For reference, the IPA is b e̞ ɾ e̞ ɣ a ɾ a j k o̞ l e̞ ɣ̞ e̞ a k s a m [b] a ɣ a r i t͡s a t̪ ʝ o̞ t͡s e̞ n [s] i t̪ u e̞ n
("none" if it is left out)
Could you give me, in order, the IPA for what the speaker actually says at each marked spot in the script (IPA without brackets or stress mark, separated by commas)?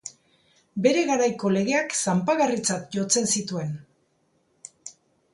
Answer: p, s